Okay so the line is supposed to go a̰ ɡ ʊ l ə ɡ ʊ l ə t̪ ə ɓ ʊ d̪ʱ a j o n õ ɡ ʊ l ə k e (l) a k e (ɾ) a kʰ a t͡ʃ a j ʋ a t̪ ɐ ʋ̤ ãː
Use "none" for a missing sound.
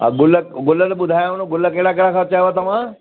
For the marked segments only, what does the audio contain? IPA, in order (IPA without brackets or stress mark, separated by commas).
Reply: ɽ, ɽ